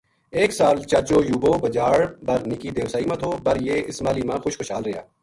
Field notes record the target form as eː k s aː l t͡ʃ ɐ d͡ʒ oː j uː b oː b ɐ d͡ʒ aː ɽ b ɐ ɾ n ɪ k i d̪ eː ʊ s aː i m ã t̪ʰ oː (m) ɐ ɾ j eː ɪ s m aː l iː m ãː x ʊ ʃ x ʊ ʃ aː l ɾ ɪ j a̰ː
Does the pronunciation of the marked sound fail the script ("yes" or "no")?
yes